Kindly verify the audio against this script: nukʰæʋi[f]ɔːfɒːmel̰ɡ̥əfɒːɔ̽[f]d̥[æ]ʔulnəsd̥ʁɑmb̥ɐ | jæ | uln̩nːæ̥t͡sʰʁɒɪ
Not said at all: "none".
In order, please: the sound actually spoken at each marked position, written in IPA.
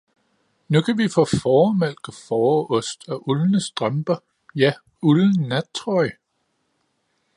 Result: f, s, æ

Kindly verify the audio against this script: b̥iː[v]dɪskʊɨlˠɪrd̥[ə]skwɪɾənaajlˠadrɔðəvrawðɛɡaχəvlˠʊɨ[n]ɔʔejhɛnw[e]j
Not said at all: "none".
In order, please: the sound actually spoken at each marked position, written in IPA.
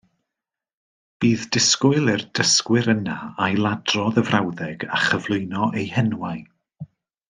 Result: ð, ə, n, a

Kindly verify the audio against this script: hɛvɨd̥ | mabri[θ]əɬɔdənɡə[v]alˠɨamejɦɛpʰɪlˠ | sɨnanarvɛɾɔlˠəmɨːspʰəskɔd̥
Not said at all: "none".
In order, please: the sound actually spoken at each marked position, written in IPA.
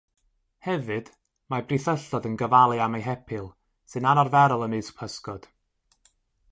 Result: θ, v

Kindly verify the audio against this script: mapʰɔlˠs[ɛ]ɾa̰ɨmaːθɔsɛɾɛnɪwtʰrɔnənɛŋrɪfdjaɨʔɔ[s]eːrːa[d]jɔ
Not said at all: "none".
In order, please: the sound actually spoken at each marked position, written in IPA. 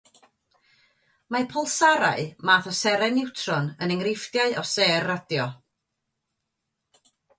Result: a, s, d

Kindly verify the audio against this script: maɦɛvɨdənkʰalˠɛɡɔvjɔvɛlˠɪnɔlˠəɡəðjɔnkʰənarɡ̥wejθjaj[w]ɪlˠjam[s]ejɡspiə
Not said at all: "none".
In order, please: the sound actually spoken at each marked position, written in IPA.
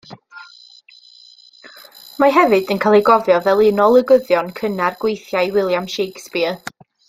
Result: w, ʃ

